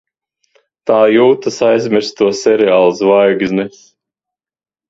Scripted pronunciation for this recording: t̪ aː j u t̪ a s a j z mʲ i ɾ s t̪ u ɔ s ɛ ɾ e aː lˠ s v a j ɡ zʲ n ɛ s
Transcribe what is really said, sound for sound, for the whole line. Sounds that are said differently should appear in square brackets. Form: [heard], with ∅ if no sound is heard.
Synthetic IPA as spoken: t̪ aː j [uː] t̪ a s a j z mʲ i ɾ s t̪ u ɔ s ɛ ɾ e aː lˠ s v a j ɡ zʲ n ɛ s